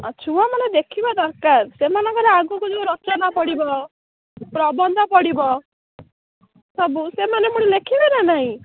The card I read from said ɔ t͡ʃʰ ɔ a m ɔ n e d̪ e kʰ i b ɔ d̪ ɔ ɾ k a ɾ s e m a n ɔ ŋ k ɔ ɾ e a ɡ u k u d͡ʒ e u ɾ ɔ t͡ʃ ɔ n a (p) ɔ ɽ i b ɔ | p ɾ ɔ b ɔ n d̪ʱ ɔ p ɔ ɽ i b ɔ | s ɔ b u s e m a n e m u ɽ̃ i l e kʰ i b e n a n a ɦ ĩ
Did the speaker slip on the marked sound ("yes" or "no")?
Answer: no